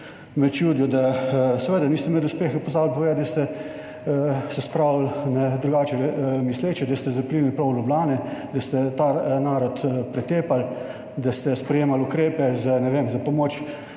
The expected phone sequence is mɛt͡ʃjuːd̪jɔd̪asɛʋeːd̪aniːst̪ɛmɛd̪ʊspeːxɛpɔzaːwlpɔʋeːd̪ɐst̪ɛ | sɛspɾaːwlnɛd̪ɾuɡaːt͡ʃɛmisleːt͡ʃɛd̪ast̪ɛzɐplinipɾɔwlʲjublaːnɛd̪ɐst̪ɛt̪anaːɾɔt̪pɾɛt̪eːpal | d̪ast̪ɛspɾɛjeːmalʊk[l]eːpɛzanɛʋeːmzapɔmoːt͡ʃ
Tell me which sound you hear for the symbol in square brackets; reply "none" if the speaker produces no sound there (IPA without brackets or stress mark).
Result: ɾ